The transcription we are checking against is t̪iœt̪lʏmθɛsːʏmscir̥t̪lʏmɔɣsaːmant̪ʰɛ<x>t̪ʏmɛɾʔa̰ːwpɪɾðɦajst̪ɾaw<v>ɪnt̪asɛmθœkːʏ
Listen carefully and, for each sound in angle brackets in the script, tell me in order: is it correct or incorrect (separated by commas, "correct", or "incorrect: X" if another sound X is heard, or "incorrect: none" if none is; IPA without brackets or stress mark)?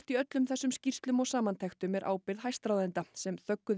correct, incorrect: ð